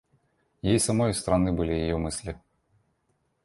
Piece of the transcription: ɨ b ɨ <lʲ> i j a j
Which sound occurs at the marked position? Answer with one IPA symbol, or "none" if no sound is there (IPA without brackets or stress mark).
lʲ